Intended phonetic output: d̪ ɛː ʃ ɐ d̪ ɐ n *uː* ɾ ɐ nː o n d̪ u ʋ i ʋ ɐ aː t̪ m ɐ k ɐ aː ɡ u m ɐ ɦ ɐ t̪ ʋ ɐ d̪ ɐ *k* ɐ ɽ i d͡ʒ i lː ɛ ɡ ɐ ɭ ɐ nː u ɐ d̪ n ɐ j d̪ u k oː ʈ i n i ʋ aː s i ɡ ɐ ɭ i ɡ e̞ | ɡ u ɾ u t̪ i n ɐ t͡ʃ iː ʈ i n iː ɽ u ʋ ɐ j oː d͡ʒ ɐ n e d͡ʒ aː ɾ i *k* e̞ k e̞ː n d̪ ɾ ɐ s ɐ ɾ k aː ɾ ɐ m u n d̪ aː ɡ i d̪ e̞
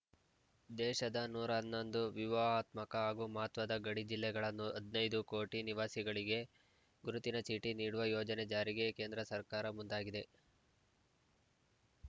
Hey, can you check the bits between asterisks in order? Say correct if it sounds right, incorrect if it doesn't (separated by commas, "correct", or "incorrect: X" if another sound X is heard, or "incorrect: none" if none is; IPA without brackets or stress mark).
correct, incorrect: ɡ, incorrect: ɡ